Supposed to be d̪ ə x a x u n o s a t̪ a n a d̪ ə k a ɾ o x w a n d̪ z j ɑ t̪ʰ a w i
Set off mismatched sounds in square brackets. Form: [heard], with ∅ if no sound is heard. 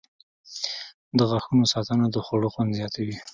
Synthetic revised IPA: d̪ ə [ɣ] a x u n o s [ɑ] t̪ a n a d̪ ə [x] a [ɽ] o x w a n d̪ z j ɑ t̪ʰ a w i